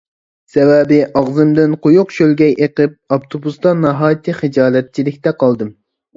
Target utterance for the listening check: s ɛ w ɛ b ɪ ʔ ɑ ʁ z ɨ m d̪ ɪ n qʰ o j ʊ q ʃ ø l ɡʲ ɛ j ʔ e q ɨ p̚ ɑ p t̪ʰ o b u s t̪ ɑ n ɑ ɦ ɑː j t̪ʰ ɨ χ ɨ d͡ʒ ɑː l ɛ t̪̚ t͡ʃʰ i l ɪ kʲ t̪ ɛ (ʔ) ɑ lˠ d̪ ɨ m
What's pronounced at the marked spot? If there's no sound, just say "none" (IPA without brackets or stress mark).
q